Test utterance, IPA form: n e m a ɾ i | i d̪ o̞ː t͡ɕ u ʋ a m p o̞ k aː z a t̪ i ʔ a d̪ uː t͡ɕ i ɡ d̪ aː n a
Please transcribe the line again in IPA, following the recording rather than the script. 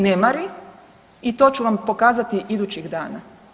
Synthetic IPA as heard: n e m a ɾ i | i t̪ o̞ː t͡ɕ u ʋ a m p o̞ k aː z a t̪ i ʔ i d̪ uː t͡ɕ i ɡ d̪ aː n a